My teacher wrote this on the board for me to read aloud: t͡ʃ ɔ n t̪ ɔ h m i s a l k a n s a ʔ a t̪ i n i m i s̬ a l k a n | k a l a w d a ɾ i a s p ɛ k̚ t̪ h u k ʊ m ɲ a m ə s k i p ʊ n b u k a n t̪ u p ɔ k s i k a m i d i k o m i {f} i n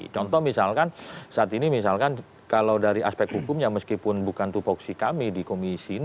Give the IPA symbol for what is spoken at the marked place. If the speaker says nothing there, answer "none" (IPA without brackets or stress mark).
s